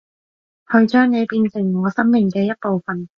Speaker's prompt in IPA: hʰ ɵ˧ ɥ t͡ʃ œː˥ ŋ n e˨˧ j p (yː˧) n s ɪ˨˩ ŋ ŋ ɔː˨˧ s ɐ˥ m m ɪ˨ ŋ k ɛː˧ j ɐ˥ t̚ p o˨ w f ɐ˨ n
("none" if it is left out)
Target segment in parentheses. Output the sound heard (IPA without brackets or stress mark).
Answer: iː˧